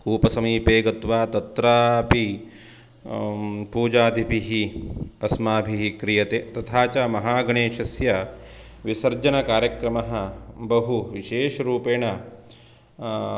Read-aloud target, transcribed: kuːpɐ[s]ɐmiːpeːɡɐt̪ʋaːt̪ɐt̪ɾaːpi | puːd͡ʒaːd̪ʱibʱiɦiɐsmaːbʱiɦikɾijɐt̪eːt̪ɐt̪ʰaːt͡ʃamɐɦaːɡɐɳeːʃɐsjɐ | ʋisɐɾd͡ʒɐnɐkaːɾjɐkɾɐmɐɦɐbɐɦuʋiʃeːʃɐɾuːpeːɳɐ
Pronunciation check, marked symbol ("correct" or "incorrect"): correct